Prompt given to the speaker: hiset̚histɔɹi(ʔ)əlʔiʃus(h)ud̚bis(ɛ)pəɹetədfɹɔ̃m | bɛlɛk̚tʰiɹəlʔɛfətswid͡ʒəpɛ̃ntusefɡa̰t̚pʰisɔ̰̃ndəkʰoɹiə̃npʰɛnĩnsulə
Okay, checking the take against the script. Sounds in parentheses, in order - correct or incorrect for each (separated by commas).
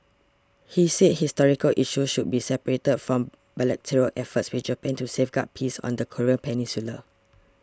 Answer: incorrect, incorrect, correct